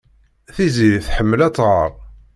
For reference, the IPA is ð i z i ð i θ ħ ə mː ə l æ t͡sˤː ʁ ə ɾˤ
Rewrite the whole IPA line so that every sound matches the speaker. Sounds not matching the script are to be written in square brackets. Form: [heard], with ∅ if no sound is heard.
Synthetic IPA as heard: [θ] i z i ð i θ ħ ə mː ə l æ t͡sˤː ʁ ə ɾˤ